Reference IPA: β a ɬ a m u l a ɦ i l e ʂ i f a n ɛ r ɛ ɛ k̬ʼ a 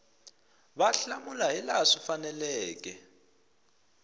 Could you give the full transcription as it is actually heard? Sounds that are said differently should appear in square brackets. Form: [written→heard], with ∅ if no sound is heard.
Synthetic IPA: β a ɬ a m u l a ɦ i l [e→a] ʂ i f a n ɛ [r→l] ɛ [ɛ→ɛː] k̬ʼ [a→ɛ]